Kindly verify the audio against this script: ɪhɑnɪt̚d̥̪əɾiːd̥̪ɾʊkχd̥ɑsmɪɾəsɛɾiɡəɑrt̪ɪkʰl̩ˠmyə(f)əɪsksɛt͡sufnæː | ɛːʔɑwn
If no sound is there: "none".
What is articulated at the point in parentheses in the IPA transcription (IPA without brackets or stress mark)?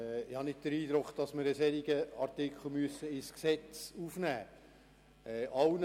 s